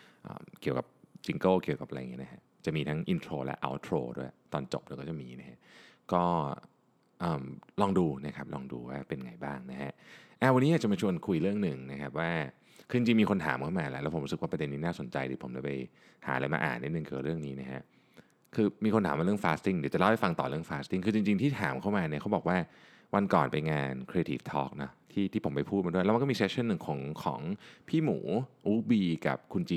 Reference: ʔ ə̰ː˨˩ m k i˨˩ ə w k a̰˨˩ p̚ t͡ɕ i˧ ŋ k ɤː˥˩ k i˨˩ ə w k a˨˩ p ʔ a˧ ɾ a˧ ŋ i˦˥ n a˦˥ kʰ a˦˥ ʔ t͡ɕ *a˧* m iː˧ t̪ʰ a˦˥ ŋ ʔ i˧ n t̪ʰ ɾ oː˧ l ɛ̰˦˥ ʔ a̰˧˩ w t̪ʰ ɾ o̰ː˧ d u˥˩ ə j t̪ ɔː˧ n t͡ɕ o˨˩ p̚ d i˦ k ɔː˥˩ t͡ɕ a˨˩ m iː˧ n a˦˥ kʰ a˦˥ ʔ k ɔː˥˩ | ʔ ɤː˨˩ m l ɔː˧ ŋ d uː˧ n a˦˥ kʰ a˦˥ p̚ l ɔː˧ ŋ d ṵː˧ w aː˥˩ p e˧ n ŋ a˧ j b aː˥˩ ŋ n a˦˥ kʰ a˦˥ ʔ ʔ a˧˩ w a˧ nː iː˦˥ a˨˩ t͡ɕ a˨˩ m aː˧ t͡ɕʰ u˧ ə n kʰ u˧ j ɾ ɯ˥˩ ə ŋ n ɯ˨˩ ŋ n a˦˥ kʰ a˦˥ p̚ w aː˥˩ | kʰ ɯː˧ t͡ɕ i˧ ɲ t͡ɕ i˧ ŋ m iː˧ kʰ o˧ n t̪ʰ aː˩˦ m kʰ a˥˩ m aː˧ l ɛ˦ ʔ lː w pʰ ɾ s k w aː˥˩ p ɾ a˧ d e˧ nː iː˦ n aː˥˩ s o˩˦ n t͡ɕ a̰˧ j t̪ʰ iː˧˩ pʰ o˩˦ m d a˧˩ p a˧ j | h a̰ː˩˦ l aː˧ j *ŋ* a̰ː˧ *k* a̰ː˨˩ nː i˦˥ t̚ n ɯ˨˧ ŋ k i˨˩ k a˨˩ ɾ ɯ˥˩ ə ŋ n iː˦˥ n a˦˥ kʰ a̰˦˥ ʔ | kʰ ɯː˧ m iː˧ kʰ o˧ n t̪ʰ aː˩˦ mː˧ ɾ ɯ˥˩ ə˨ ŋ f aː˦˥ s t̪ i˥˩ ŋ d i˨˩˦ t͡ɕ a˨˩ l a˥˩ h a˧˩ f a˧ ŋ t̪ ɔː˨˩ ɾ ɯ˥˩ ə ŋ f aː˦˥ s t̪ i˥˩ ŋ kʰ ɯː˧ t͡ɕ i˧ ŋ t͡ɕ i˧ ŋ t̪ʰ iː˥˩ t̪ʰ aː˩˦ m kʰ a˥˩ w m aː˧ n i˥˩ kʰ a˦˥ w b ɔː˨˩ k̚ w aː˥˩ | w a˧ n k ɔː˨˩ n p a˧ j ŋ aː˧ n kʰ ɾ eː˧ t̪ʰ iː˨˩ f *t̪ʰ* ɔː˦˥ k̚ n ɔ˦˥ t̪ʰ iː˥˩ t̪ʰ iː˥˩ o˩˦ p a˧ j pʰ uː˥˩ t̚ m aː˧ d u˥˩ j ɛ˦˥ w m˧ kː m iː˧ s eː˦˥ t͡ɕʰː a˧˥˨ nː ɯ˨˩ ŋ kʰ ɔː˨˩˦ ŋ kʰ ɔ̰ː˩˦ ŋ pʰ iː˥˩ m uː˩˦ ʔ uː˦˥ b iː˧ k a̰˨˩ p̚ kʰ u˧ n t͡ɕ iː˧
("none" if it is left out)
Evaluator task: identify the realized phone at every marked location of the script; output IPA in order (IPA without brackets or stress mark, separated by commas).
a˨˩, m, ʔ, t̪ʰ